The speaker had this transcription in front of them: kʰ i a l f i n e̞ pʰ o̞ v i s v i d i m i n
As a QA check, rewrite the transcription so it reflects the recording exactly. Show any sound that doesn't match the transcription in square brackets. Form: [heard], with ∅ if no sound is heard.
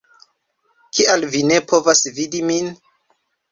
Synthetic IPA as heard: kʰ i a l [v] i n e̞ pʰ o̞ v [a] s v i d i m i n